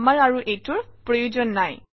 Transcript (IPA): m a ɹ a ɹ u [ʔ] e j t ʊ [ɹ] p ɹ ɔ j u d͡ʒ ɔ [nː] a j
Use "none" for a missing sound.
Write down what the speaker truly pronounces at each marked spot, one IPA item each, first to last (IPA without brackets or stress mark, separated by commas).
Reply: ʔ, ɹ, nː